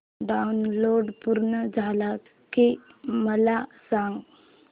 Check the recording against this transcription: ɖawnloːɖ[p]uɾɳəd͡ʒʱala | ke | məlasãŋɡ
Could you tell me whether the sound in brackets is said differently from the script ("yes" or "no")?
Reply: no